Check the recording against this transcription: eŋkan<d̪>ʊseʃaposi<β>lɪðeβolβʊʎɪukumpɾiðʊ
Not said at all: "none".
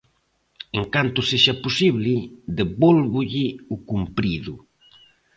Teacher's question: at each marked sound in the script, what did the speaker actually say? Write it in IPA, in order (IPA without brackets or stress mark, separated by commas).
t̪, β